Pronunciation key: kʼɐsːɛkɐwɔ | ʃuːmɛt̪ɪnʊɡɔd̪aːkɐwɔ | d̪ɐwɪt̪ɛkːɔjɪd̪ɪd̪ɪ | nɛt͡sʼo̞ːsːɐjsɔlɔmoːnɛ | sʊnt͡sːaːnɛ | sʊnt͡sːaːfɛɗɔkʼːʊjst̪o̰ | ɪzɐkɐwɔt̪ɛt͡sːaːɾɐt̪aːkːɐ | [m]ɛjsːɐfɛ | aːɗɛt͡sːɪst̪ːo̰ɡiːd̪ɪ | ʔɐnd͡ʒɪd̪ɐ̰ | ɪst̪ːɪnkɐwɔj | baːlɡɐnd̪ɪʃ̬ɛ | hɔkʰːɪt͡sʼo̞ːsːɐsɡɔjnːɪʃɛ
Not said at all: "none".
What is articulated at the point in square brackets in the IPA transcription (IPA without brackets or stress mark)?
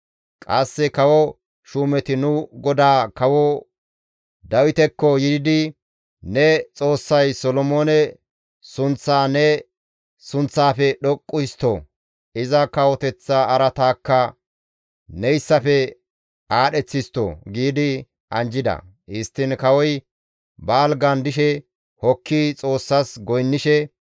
n